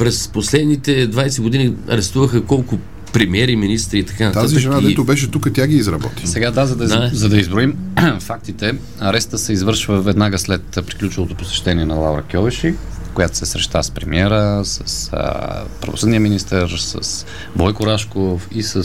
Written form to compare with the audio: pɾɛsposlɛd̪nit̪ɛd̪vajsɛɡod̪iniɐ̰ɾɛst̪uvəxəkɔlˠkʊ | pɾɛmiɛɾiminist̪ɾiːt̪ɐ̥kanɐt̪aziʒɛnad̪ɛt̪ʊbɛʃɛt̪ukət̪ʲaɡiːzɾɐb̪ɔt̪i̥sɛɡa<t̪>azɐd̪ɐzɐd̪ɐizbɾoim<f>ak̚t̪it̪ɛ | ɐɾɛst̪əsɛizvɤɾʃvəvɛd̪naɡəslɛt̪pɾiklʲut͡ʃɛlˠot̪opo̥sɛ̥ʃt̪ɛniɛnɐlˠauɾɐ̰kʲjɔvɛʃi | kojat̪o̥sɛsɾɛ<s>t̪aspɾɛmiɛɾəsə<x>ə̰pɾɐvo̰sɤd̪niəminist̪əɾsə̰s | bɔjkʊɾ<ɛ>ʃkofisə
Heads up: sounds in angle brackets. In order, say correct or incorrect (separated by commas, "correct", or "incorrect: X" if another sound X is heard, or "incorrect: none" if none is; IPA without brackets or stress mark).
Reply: incorrect: d̪, correct, incorrect: ʃ, incorrect: s, incorrect: a